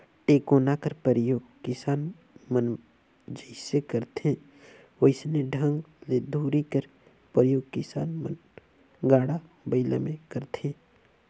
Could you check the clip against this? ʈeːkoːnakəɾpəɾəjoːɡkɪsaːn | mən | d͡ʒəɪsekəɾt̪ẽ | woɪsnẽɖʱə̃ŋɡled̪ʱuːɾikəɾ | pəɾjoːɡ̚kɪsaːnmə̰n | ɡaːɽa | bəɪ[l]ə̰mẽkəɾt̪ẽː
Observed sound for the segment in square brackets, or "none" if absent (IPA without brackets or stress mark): l